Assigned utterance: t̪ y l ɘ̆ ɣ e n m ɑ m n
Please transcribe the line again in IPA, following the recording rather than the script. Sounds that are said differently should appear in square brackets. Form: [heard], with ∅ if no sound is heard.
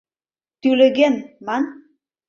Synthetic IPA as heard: t̪ y l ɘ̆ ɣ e n m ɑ [∅] n